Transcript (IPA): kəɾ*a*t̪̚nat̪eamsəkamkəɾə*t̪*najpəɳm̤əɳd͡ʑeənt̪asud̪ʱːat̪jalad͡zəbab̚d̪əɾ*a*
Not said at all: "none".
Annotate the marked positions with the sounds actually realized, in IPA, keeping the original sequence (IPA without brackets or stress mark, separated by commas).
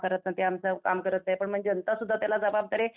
ə, t̪, e